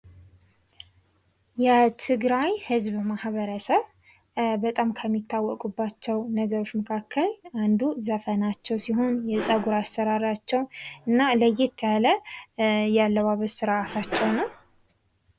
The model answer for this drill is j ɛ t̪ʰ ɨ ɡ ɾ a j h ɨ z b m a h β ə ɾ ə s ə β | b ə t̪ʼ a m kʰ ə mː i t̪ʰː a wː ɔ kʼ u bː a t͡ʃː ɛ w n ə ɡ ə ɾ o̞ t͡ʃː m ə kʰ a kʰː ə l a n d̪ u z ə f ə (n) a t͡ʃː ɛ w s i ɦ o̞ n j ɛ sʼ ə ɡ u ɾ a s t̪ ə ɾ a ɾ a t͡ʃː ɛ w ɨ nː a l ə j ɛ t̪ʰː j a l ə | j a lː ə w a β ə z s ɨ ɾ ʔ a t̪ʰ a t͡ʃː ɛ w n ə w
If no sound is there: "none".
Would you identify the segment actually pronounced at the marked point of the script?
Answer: n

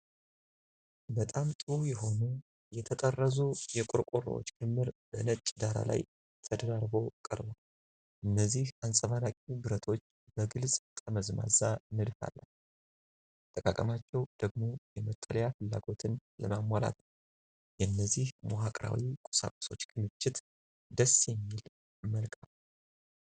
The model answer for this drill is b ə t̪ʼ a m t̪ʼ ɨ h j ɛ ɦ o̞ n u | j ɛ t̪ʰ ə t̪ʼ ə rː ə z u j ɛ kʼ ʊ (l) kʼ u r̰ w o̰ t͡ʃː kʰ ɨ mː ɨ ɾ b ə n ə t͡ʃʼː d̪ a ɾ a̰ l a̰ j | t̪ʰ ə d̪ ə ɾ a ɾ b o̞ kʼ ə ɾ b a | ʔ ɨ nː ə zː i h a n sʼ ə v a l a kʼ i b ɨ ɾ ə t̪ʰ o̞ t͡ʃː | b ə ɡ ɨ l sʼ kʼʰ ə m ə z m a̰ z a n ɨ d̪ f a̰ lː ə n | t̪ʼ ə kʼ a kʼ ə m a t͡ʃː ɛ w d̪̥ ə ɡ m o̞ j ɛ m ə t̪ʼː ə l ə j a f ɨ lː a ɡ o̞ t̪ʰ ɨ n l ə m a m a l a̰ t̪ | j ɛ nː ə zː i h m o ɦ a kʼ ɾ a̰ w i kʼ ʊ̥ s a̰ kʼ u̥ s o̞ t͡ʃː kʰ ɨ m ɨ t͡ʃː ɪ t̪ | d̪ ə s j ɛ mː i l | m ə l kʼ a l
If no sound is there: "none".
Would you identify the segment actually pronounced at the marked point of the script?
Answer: ɾ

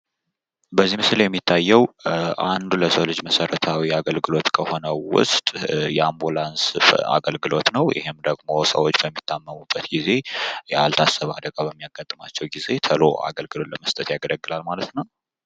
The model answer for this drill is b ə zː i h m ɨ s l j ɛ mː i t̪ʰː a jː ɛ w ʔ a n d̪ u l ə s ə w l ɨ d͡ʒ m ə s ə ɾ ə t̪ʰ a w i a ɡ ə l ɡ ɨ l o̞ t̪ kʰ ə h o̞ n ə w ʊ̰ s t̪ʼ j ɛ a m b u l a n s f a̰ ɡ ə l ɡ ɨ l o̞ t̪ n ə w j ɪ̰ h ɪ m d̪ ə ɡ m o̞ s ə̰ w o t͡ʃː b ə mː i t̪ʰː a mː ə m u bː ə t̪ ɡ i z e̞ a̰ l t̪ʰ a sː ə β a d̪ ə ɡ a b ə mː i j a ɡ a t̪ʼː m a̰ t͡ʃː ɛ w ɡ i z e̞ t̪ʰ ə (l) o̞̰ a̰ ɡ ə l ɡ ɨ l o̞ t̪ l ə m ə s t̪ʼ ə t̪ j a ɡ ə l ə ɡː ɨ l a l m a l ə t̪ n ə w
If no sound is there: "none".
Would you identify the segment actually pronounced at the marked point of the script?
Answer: l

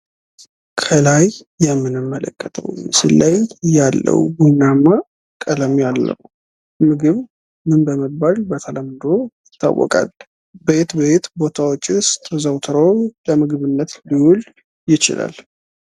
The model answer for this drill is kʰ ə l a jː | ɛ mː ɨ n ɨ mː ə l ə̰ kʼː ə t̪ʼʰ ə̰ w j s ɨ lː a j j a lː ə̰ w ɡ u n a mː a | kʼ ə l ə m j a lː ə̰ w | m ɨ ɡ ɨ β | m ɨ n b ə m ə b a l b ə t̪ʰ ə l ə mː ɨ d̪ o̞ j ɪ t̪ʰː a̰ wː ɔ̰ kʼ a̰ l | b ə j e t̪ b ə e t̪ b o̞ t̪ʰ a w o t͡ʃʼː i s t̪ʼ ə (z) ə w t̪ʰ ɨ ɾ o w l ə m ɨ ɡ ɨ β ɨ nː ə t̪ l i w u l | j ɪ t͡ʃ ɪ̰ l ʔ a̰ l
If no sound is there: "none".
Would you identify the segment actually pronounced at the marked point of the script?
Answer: z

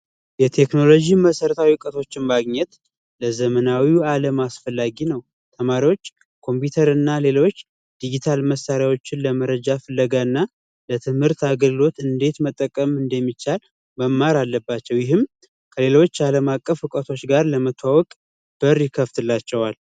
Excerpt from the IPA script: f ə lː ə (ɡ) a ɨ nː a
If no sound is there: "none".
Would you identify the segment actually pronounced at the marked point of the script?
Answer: ɡ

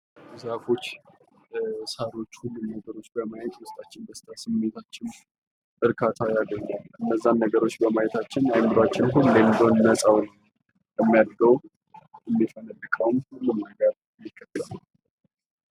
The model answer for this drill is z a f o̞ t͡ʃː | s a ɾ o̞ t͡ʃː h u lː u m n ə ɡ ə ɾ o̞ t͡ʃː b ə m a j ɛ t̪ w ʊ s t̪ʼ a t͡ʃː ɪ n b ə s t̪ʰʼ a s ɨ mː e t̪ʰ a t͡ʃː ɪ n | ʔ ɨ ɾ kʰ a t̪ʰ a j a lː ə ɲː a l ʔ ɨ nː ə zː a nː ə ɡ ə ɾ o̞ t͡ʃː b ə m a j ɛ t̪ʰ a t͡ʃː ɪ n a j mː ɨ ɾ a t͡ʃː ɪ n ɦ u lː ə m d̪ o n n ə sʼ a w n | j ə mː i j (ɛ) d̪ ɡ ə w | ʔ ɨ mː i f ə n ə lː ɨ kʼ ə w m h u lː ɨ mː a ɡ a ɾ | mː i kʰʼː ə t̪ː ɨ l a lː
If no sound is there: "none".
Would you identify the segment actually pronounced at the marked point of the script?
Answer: a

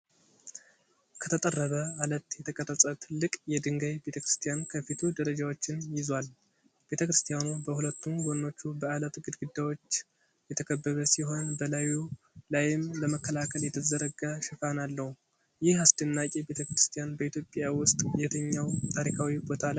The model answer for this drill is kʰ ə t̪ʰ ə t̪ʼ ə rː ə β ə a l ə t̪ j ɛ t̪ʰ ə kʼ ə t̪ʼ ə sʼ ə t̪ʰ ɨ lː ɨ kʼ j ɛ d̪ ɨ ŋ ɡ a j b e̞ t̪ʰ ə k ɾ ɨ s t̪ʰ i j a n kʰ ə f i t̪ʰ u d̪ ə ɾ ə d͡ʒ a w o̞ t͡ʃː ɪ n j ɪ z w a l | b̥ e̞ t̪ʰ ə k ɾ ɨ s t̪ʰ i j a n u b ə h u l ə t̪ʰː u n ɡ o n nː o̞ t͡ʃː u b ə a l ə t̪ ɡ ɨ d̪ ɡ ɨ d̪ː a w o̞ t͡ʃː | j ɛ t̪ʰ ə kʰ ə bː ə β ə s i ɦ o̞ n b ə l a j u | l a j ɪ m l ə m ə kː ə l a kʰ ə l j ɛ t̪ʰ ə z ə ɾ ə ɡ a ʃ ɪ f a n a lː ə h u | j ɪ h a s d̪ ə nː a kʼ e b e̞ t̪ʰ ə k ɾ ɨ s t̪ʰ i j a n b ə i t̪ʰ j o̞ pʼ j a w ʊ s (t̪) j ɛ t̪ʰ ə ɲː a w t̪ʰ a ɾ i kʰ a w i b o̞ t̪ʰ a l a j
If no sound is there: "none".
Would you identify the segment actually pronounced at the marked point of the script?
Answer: t̪ʼ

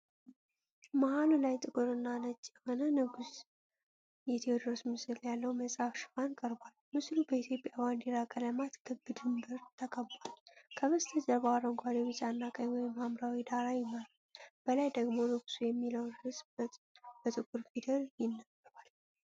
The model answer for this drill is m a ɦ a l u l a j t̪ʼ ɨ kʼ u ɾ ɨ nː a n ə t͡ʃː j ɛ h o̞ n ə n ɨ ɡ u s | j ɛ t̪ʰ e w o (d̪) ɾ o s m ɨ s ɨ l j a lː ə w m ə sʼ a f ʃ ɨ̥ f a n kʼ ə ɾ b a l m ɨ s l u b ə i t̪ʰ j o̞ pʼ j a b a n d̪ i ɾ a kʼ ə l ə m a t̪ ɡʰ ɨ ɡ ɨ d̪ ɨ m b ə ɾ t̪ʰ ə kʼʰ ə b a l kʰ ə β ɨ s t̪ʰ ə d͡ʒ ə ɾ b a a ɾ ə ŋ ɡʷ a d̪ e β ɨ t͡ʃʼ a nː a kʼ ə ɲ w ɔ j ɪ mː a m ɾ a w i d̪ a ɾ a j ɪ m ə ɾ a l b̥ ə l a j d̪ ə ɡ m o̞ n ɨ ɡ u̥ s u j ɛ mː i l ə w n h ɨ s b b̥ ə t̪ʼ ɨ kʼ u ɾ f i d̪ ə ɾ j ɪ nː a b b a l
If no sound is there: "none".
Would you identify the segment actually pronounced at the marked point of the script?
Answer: d̪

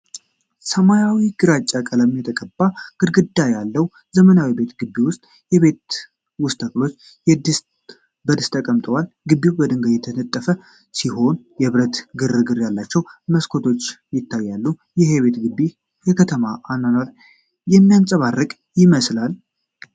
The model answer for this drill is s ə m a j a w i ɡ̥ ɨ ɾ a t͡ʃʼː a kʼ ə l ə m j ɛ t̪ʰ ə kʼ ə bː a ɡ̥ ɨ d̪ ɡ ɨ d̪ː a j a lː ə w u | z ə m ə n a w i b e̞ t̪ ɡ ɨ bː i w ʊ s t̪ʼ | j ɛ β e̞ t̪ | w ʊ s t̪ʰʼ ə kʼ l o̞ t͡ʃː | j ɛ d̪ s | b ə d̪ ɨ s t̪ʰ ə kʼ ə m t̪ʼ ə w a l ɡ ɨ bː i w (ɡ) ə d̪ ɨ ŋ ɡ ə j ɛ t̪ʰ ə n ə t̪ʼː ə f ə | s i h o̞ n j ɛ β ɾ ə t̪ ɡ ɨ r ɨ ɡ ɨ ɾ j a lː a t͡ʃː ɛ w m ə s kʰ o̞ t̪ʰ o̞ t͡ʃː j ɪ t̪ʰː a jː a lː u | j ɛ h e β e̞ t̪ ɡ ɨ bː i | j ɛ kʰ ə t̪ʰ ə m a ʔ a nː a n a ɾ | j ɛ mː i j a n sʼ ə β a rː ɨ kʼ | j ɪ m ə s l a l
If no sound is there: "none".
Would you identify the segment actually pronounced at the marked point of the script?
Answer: b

